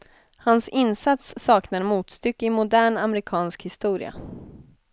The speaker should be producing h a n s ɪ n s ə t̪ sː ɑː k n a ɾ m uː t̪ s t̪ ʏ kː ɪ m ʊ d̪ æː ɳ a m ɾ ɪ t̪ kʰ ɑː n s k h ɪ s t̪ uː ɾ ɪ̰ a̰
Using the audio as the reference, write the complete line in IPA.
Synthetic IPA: h a n s ɪ n s a t̪ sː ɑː k n a ɾ m uː t̪ s t̪ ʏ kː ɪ m ʊ d̪ æː ɳ a m ɾ ɪ kʰ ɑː n s k h ɪ s t̪ uː ɾ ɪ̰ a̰

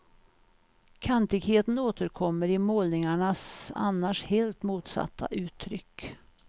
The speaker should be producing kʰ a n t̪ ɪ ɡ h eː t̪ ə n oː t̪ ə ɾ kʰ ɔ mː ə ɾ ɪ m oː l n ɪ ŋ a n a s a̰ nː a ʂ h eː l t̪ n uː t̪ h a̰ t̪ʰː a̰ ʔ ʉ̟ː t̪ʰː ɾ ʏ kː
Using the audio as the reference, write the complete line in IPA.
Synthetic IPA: kʰ a n t̪ ɪ ɡ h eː t̪ ə n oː t̪ ə ɾ kʰ ɔ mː ə ɾ ɪ m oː l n ɪ ŋ a ɳ a s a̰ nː a ʂ h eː l t̪ m uː t̪ s a̰ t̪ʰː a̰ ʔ ʉ̟ː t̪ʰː ɾ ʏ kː

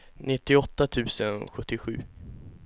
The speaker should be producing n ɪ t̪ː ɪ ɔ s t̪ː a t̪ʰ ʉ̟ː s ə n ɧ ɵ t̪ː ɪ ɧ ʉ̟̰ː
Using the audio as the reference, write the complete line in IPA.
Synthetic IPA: n ɪ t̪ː ɪ ɔ t̪ː a t̪ʰ ʉ̟ː s ə n ɧ ɵ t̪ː ɪ ɧ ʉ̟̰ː

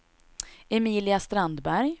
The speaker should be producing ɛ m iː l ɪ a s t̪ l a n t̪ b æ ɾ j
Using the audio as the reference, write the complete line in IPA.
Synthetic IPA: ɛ m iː l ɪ a s t̪ ɾ a n d̪ b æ ɾ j

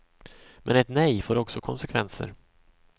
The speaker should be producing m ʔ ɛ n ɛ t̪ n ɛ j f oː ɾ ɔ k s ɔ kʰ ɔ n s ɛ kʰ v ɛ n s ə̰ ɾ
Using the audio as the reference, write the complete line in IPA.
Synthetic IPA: m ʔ ɛ n ɛ t̪ n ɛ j f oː ɾ ɔ k s ɔ kʰ ɔ n s ɛ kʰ v ɛ n s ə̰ ɾ

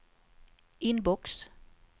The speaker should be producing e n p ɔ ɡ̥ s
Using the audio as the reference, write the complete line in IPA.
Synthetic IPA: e n b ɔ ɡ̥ s

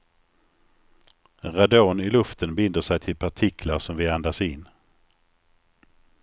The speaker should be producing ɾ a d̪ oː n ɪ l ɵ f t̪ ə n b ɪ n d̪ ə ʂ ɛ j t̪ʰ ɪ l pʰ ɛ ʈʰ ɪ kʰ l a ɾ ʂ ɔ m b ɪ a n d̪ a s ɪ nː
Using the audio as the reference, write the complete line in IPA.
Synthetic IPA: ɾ a d̪ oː n ɪ l ɵ f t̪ ə n b ɪ n d̪ ə ʂ ɛ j t̪ʰ ɪ l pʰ a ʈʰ ɪ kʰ l a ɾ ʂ ɔ m v ɪ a n d̪ a s ɪ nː

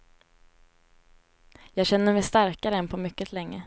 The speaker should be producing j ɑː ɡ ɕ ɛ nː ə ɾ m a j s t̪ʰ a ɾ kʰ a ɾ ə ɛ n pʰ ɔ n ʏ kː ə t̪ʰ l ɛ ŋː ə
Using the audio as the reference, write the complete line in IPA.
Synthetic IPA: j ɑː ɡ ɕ ɛ nː ə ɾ m ɛ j s t̪ a ɾ k a ɾ ə ɛ n pʰ ɔ m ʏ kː ə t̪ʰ l ɛ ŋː ə

